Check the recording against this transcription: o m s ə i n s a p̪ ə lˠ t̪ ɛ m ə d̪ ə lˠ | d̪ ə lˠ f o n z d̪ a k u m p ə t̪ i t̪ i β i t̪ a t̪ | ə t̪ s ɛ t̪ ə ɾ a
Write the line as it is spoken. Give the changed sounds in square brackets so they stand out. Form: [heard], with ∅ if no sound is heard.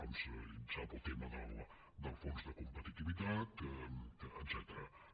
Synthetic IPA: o m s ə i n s a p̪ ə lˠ t̪ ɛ m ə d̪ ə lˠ | d̪ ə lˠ f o n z d̪ [ə] k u m p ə t̪ i t̪ i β i t̪ a t̪ | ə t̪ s ɛ t̪ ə ɾ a